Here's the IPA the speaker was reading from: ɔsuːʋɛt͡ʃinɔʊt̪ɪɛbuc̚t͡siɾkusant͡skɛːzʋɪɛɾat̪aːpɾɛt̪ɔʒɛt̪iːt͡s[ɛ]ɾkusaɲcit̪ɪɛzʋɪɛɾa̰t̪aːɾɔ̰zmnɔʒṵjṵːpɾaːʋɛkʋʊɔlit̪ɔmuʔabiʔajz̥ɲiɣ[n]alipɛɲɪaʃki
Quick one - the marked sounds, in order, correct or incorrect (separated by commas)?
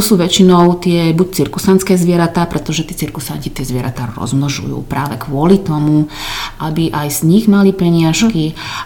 incorrect, incorrect